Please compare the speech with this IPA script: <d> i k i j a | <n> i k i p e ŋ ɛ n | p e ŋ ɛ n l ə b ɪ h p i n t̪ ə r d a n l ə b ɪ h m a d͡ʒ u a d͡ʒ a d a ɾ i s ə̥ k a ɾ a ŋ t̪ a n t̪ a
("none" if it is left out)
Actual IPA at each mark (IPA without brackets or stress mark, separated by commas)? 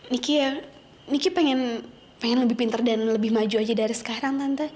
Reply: n, n